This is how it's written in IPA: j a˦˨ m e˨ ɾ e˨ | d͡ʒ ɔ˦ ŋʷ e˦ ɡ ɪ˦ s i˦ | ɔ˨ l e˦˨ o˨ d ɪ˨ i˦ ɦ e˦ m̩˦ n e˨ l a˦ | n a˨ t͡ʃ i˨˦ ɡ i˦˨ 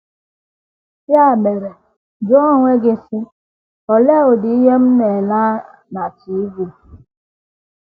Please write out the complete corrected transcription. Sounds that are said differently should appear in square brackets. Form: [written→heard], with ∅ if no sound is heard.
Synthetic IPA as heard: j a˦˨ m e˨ ɾ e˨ | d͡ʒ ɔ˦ ŋʷ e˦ ɡ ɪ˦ s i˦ | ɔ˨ l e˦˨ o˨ d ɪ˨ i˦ ɦ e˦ m̩˦ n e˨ l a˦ | n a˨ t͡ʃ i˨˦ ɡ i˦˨